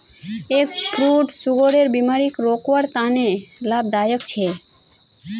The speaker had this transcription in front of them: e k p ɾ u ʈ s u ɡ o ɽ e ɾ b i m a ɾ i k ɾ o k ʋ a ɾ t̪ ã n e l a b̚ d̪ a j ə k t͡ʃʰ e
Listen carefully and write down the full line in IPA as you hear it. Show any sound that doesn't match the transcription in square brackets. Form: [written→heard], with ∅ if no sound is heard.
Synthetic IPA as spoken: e k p ɾ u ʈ s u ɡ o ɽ e ɾ b i m a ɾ i k ɾ o k ʋ a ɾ t̪ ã n e l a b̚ d̪ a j ə k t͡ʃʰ e

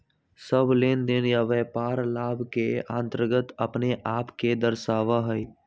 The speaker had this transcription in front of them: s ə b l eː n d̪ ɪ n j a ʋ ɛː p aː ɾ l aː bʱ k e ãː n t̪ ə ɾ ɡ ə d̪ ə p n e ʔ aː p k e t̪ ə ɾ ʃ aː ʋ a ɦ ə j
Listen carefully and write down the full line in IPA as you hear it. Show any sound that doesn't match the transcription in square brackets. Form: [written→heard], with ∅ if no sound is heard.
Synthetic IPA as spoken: s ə b l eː n d̪ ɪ n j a ʋ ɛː p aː ɾ l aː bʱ k e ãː n t̪ ə ɾ ɡ ə [d̪→t̪] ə p n e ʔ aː p k e [t̪→d̪] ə ɾ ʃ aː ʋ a ɦ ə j

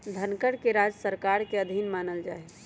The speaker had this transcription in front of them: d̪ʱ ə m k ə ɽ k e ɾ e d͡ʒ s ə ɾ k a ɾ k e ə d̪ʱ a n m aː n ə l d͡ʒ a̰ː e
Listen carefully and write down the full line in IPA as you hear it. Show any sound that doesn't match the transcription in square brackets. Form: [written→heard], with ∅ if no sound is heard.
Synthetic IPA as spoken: d̪ʱ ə [m→n] k ə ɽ k e ɾ [e→a] d͡ʒ s ə ɾ k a ɾ k e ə d̪ʱ [a→i] n m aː n ə l d͡ʒ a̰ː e

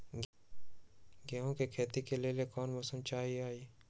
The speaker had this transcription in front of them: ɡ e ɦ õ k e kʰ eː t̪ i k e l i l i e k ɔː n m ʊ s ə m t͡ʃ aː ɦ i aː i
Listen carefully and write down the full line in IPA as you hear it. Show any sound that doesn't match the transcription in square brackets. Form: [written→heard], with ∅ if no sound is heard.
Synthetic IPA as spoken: ɡ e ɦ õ k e kʰ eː t̪ i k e l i l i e k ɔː n m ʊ s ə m t͡ʃ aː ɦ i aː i

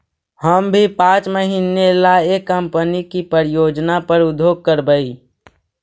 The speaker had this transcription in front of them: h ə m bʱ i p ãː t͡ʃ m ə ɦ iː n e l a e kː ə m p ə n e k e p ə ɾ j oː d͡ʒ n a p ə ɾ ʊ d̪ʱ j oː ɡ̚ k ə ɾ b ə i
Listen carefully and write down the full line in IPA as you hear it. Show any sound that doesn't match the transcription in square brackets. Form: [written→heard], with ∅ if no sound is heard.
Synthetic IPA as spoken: h ə m bʱ i p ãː t͡ʃ m ə ɦ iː n e l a e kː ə m p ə n [e→i] k [e→i] p ə ɾ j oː d͡ʒ n a p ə ɾ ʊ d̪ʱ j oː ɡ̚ k ə ɾ b ə i

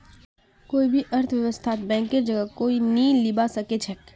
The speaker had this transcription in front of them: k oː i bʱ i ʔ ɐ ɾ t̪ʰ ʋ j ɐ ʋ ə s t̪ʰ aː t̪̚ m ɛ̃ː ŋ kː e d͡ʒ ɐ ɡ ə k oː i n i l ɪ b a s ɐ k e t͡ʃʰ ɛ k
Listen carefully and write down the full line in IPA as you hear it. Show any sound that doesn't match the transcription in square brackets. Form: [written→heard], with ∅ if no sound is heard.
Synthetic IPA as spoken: k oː i bʱ i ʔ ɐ ɾ t̪ʰ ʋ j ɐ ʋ ə s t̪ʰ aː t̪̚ [m→b] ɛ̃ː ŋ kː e d͡ʒ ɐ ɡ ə k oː i n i l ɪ b a s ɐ k e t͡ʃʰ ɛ k

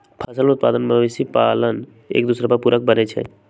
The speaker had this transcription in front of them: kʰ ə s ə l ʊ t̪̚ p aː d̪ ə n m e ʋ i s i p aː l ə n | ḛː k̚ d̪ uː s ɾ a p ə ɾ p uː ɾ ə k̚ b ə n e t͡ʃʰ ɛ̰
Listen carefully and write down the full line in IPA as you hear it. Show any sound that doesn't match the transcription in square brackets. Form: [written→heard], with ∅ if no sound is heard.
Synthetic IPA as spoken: [kʰ→pʰ] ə s ə l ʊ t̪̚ p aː d̪ ə n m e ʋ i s i p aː l ə n | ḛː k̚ d̪ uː s ɾ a p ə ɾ p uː ɾ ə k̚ b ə n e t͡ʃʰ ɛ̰

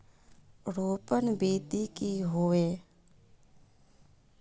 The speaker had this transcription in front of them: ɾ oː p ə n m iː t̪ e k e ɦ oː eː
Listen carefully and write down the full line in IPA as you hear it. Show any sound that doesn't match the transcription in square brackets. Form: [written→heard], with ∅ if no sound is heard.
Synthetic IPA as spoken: ɾ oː p ə n [m→b] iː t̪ [e→i] k [e→i] ɦ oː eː

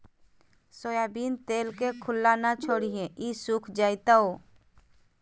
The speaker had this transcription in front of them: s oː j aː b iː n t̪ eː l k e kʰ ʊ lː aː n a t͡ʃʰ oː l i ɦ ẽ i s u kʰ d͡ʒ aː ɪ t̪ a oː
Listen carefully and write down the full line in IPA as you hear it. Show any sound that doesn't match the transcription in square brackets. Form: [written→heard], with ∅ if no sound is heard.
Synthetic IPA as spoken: s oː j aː b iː n t̪ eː l k e kʰ ʊ lː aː n a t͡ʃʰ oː [l→ɽ] i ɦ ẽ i s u kʰ d͡ʒ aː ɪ t̪ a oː

